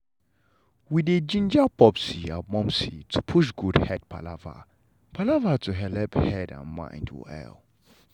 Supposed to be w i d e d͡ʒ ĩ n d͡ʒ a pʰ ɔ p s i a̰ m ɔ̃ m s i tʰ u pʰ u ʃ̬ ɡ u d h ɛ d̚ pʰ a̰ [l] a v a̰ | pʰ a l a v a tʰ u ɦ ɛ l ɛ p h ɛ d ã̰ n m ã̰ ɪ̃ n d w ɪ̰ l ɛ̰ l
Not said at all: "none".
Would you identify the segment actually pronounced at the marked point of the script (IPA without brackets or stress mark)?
l